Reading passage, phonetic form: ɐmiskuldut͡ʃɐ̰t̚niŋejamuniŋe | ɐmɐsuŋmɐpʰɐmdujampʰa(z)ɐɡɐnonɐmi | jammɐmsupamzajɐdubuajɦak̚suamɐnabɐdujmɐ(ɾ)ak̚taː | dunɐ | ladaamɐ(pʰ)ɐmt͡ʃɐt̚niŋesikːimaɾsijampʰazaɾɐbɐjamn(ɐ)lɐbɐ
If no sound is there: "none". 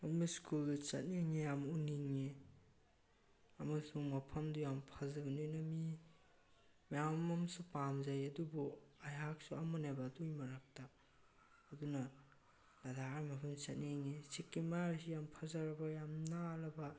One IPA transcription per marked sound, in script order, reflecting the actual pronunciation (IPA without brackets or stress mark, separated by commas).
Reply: z, ɾ, pʰ, a